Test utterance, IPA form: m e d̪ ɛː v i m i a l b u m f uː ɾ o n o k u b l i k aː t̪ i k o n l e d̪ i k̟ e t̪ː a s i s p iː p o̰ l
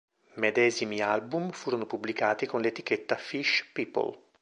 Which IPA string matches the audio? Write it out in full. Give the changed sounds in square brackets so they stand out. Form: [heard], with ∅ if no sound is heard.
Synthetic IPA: m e d̪ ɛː [z] i m i a l b u m f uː ɾ o n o [p] u b l i k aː t̪ i k o n l e [t̪] i k̟ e t̪ː a [f] i [ʃ] p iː p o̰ l